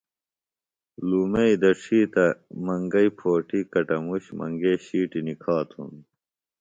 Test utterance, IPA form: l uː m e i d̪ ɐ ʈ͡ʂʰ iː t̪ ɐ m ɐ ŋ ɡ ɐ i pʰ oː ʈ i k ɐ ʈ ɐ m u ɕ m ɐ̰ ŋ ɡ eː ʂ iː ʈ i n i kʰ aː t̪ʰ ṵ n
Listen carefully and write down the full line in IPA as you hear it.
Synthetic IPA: l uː m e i d̪ ɐ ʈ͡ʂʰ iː t̪ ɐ m ɐ ŋ ɡ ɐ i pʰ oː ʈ i k ɐ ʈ ɐ m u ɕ m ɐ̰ ŋ ɡ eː ɕ iː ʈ i n i kʰ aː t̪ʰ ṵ n